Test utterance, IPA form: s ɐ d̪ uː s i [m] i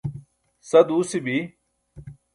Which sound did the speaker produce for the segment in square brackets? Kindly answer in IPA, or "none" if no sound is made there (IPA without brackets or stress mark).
b